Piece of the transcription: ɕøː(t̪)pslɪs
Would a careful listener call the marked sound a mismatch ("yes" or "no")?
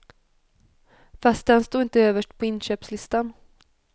yes